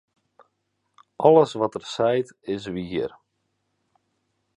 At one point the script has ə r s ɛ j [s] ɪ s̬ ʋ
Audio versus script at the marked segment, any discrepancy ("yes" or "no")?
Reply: yes